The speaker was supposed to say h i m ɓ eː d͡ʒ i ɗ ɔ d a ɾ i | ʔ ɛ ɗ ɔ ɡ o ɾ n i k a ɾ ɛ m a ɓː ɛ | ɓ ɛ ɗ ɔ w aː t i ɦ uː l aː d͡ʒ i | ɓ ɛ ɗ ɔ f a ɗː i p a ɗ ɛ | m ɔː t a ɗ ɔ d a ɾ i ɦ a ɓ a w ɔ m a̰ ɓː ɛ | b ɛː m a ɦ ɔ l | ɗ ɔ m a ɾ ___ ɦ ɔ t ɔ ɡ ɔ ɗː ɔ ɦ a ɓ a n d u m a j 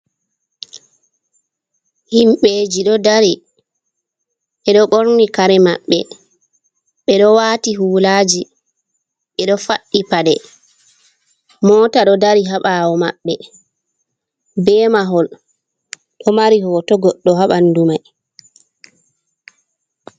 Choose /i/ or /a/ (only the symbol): i